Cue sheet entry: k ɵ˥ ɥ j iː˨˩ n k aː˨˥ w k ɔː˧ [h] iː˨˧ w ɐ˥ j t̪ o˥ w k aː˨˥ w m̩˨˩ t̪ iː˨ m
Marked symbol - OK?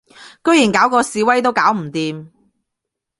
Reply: no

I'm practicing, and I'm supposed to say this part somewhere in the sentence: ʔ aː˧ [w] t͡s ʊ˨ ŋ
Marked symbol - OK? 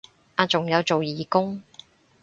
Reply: no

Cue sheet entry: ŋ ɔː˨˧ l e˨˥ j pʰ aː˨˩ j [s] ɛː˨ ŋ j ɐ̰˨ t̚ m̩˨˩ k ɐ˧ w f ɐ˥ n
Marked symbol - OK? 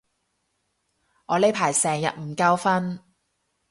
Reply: yes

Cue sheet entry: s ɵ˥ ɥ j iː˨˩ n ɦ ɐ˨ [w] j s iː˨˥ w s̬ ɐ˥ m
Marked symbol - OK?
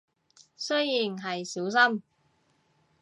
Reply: no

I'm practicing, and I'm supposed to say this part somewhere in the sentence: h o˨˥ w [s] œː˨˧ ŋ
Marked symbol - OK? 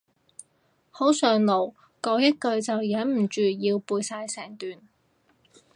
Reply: yes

